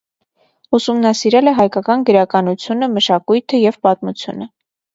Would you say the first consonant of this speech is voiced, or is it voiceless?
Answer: voiceless